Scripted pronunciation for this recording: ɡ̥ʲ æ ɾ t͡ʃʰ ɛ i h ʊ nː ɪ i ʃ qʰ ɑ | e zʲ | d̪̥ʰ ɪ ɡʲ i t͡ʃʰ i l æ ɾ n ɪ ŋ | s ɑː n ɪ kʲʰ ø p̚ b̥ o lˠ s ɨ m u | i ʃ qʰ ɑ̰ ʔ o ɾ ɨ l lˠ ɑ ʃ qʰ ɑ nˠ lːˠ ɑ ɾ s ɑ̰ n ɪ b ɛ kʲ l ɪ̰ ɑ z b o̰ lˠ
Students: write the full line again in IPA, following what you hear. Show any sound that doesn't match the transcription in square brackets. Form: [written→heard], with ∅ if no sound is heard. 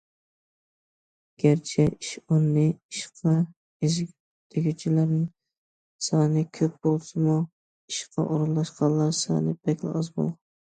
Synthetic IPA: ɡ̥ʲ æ ɾ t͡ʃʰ ɛ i [h→ʃ] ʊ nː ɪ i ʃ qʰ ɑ | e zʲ | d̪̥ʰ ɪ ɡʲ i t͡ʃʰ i l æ ɾ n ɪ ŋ | s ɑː n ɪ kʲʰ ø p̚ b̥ o lˠ s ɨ m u | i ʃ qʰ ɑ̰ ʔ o ɾ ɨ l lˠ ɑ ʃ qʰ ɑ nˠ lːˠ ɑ ɾ s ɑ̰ n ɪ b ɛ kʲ l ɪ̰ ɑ z b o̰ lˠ